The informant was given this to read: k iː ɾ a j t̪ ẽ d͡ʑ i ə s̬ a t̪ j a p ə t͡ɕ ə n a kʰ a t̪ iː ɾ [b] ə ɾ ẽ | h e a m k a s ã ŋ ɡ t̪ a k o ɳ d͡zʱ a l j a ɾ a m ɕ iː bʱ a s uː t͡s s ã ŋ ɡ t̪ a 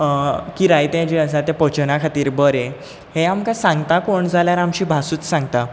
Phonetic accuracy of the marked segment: correct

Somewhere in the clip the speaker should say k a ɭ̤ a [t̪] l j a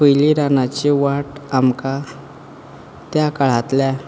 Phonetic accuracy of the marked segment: correct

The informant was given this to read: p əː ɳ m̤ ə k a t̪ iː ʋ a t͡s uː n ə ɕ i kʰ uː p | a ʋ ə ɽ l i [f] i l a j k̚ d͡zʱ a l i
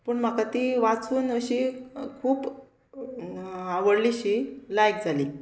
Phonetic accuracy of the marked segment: incorrect: ɕ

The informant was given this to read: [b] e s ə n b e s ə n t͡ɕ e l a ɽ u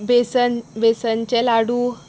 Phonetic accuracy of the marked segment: correct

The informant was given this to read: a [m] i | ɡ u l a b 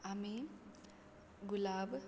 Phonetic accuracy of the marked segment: correct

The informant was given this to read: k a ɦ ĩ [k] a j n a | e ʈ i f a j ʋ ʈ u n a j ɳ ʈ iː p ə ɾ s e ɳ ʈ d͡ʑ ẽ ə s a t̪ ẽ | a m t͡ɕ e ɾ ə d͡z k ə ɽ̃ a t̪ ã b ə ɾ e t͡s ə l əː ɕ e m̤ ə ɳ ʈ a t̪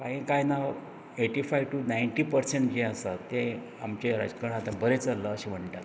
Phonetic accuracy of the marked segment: correct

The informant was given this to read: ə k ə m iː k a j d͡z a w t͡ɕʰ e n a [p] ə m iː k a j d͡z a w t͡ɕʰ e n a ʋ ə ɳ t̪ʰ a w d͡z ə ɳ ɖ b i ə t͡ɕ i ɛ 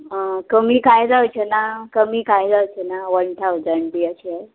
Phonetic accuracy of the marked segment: incorrect: k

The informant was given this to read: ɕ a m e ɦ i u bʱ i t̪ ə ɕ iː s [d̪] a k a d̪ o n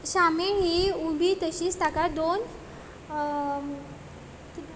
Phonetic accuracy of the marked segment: incorrect: t̪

